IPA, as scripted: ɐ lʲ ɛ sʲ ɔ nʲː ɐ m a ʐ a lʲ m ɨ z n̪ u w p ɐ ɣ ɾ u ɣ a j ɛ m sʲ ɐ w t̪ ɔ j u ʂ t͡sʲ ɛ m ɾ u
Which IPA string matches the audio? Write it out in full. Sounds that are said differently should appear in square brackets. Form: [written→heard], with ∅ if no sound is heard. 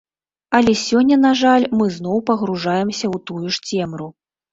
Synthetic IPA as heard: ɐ lʲ ɛ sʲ ɔ nʲː ɐ [m→n] a ʐ a lʲ m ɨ z n̪ [u→ɔ] w p ɐ ɣ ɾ u [ɣ→ʐ] a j ɛ m sʲ ɐ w t̪ [ɔ→u] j u ʂ t͡sʲ ɛ m ɾ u